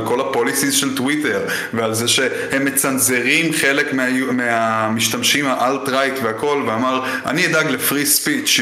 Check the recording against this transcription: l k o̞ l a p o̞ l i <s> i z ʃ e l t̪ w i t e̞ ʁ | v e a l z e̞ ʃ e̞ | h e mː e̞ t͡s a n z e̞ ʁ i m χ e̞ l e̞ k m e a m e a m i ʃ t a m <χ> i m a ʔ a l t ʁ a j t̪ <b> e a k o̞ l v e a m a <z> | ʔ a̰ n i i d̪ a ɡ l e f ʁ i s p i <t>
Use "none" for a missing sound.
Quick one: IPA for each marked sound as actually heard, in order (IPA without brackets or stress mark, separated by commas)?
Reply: s, ʃ, v, ʁ, t͡ʃ